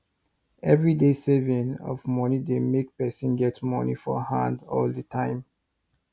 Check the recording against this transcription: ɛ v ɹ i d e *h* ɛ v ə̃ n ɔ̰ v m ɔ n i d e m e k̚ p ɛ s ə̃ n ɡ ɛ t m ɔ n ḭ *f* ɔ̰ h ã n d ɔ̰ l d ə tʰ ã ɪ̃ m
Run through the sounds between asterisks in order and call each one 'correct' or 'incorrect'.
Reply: incorrect: s, correct

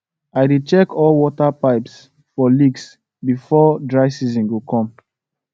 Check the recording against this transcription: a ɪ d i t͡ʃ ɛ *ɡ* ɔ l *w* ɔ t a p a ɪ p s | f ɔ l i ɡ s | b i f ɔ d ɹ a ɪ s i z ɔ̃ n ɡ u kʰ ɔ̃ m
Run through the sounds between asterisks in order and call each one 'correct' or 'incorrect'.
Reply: incorrect: k, correct

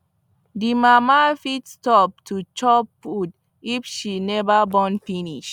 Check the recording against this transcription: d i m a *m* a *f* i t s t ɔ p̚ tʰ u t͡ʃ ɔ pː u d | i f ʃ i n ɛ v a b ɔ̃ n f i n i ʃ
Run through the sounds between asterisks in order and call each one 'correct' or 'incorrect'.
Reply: correct, correct

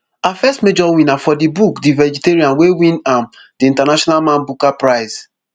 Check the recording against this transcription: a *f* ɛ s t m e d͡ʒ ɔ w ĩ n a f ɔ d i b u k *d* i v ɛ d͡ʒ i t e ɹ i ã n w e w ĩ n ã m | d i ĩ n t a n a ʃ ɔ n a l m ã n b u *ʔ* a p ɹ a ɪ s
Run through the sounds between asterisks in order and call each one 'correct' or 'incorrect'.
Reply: correct, correct, incorrect: k

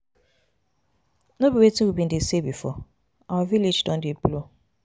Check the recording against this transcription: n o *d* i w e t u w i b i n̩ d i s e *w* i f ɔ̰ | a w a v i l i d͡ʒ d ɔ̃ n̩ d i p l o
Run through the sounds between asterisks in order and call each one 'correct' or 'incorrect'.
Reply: incorrect: b, incorrect: b

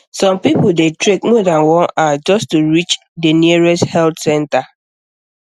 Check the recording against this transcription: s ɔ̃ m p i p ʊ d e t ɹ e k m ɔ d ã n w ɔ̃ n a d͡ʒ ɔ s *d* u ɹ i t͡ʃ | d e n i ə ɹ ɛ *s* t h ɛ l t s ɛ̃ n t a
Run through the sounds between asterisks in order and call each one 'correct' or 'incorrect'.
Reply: incorrect: t, correct

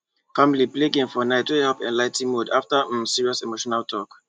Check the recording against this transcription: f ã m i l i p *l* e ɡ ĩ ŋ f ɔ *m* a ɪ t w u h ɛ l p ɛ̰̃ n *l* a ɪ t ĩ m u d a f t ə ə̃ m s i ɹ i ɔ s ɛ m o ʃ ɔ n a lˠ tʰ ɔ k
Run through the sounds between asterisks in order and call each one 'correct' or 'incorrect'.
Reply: correct, incorrect: n, correct

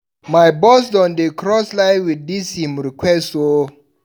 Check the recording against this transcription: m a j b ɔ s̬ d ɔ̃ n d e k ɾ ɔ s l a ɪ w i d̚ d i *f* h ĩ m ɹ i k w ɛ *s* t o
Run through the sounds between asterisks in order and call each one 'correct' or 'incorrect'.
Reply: incorrect: s, correct

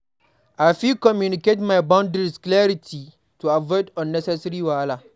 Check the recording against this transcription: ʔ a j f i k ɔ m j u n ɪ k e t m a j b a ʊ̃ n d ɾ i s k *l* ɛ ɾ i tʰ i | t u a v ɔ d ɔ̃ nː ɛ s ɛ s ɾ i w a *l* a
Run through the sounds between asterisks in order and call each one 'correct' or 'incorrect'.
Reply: correct, correct

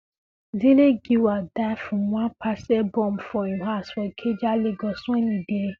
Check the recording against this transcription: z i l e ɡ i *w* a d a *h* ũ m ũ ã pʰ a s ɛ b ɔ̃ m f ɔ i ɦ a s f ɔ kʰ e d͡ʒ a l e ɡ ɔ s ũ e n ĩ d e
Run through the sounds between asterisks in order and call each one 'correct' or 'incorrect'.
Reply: correct, incorrect: f

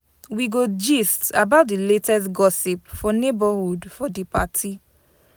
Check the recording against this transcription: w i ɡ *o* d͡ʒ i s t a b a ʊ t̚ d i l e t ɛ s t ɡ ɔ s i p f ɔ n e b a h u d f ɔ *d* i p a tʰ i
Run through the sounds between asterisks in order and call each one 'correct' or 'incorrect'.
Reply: correct, correct

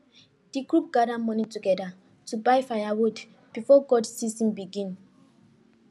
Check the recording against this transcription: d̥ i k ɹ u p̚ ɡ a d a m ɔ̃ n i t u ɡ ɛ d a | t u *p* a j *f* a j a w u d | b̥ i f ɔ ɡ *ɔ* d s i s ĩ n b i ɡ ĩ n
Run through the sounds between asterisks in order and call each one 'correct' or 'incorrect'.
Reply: incorrect: b, correct, correct

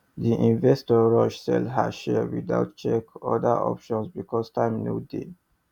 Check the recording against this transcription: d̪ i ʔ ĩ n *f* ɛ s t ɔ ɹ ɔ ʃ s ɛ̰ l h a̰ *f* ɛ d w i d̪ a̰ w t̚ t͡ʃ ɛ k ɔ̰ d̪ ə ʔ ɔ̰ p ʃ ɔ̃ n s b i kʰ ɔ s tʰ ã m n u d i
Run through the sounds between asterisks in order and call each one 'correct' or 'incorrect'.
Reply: incorrect: v, incorrect: ʃ

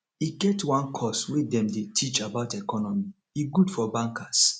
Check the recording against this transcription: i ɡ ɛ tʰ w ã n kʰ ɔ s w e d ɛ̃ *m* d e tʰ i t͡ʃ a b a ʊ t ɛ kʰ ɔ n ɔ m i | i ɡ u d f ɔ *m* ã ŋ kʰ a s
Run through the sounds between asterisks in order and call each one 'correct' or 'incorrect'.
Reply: correct, incorrect: b

